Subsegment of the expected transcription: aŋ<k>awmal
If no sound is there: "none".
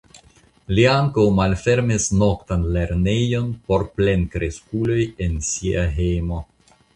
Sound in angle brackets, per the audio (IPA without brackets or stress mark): k